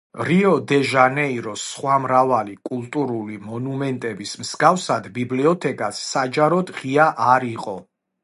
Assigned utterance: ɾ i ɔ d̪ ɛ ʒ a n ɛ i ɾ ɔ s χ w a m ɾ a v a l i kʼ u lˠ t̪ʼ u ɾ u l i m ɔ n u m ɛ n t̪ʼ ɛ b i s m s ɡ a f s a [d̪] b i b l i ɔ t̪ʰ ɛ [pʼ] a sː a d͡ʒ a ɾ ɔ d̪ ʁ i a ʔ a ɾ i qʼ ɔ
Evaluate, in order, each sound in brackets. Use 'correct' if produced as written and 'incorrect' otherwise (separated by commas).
correct, incorrect